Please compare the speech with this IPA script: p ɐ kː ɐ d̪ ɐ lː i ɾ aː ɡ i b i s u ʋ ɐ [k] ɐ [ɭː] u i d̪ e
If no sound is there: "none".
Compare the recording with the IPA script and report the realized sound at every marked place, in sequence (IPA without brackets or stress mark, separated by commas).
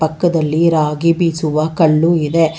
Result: k, ɭː